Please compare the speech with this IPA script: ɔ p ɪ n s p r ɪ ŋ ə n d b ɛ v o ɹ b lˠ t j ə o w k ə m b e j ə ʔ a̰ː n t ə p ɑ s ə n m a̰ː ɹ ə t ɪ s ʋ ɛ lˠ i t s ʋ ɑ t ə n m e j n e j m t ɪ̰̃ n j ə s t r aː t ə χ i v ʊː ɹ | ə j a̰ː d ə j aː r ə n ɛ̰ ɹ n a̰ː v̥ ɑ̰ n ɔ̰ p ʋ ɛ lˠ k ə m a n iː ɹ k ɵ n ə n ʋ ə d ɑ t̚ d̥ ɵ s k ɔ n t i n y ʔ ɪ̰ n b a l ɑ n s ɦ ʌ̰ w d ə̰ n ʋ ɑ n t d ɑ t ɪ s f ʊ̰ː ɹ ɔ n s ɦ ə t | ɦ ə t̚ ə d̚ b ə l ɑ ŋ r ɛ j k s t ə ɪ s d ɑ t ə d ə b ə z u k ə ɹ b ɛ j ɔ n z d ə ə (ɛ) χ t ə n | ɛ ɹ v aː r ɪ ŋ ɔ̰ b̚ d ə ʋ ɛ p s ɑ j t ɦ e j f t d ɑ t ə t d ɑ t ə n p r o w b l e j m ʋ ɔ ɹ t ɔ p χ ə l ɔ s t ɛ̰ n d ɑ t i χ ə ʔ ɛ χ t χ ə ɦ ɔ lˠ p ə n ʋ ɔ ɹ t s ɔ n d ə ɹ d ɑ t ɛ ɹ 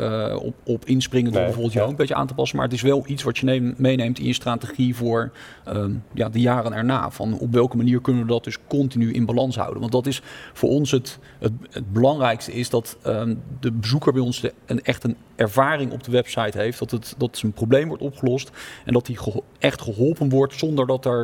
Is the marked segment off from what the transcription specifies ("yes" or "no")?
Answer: no